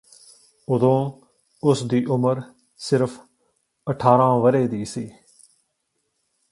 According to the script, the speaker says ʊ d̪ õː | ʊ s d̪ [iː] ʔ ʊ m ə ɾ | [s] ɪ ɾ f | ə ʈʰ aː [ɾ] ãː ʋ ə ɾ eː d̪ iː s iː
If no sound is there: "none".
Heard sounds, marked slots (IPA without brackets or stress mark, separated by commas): iː, s, ɾ